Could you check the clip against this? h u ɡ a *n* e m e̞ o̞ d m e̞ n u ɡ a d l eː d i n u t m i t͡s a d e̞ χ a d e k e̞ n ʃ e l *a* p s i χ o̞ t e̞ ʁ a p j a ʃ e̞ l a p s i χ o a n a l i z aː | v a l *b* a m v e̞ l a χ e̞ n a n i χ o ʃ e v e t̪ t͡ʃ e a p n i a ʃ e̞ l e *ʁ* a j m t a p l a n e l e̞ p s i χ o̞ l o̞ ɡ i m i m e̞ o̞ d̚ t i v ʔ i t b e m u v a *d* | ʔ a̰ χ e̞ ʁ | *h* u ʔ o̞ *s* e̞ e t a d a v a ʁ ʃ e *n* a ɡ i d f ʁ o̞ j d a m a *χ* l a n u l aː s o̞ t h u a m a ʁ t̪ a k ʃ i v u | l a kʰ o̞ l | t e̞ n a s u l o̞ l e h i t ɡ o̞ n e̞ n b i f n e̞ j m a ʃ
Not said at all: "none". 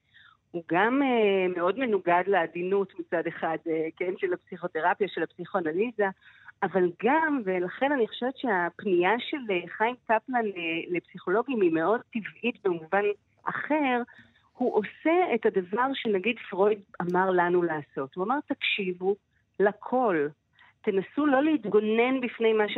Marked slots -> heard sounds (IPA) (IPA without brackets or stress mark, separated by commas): m, a, ɡ, χ, n, h, s, n, ʁ